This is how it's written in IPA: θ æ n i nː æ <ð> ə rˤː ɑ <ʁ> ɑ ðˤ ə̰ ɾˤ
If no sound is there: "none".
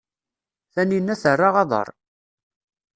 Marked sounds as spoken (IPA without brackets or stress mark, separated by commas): θ, ʁ